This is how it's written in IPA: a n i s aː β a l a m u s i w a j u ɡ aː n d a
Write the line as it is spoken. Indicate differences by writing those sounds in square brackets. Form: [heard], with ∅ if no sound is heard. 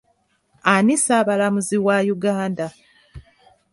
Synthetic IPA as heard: a n i s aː β a l a m u [z] i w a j u ɡ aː n d a